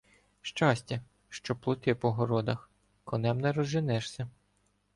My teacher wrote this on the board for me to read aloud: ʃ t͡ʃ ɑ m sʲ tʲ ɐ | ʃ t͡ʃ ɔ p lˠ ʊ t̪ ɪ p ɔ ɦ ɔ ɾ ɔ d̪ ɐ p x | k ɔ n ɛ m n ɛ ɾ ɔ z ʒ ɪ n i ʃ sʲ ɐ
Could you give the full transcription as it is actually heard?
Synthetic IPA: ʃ t͡ʃ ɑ sʲ tʲ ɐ | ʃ t͡ʃ ɔ p lˠ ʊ t̪ ɪ p ɔ ɦ ɔ ɾ ɔ d̪ ɐ x | k ɔ n ɛ m n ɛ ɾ ɔ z ʒ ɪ n ɛ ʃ sʲ ɐ